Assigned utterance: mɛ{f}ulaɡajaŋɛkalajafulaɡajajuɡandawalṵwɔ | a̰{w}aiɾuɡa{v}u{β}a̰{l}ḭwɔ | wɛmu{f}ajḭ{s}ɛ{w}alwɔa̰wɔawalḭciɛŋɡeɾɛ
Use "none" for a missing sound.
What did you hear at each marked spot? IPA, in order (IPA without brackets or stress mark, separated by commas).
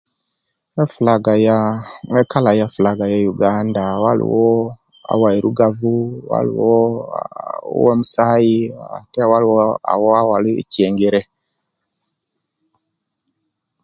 f, w, v, w, l, s, t, w